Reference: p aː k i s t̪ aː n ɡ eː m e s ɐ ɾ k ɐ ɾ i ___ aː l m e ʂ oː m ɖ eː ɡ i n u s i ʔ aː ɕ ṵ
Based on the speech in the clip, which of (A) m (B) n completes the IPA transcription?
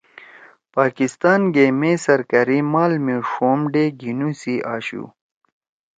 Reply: A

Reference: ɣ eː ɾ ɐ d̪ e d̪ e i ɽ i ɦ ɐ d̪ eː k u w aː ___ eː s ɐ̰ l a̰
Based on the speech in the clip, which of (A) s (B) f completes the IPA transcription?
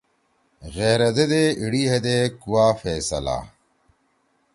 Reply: B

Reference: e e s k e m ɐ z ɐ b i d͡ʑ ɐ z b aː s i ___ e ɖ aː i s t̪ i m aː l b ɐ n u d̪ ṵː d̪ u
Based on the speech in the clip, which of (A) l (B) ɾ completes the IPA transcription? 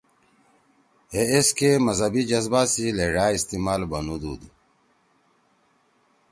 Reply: A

